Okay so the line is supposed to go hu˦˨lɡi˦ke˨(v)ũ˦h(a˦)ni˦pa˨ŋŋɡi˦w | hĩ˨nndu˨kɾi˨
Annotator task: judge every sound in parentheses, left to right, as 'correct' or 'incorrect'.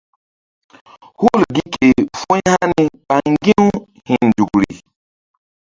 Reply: incorrect: f, correct

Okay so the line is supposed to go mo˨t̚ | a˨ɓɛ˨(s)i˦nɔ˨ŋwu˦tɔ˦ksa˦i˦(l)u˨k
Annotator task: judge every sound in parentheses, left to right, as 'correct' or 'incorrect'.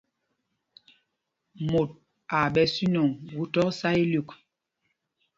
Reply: correct, correct

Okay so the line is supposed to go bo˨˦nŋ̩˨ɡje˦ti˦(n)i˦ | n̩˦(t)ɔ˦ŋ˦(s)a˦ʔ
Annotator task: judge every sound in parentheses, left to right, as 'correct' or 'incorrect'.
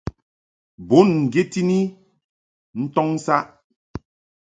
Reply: correct, correct, correct

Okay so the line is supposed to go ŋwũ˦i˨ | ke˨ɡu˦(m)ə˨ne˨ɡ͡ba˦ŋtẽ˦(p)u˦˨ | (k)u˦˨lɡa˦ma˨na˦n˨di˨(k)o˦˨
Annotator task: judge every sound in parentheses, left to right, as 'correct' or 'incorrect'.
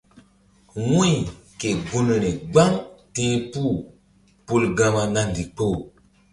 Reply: incorrect: n, correct, incorrect: p, incorrect: k͡p

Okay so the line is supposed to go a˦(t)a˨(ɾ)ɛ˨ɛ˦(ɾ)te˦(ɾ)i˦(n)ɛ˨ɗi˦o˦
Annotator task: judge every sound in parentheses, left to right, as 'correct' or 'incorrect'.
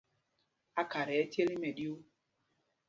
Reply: incorrect: k, correct, incorrect: none, incorrect: l, incorrect: m

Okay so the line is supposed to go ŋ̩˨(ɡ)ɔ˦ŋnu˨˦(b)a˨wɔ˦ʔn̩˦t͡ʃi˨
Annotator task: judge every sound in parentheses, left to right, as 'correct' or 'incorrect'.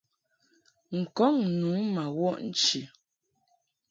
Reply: incorrect: k, incorrect: m

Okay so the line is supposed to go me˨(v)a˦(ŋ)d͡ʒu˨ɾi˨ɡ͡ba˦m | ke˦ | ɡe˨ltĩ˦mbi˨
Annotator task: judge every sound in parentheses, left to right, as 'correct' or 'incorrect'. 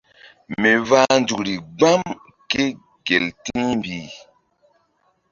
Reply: correct, incorrect: n

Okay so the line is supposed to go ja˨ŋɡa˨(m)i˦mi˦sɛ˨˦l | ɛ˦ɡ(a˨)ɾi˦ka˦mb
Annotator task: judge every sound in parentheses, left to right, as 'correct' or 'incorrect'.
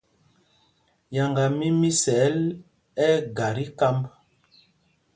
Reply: correct, correct

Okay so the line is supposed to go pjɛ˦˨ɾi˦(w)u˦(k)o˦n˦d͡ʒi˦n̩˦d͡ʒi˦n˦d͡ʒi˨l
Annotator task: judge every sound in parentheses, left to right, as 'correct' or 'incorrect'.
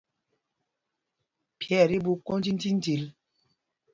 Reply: incorrect: b, correct

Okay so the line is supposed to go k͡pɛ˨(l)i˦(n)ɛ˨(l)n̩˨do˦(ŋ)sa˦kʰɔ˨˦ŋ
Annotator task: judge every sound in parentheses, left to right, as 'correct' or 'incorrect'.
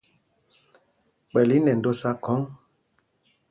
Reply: correct, correct, incorrect: none, incorrect: none

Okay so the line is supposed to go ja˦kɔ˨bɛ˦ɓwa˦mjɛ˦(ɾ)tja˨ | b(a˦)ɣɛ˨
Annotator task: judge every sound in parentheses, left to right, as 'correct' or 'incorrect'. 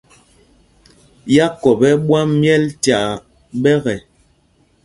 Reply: incorrect: l, incorrect: ɛ˦

